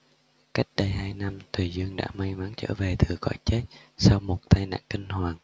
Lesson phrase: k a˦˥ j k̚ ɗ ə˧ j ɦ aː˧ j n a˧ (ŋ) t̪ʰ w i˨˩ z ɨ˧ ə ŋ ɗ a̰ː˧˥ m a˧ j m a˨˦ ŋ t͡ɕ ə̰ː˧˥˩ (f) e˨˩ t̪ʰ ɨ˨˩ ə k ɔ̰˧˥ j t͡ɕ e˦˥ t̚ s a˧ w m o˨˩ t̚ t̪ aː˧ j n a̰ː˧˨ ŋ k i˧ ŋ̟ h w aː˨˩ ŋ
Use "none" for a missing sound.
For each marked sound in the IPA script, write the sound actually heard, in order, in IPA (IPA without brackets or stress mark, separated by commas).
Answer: m, v